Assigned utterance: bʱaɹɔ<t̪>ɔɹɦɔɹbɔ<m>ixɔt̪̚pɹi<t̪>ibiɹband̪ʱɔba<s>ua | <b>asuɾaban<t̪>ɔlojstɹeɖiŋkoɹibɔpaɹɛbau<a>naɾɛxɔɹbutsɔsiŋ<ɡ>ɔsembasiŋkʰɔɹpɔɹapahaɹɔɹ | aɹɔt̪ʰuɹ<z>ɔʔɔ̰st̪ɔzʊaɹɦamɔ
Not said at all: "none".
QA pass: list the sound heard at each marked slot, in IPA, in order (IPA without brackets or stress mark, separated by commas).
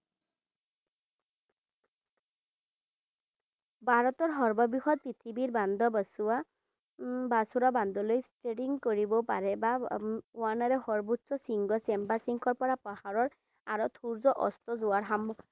t̪, b, t̪ʰ, s, b, d̪, a, ɡ, z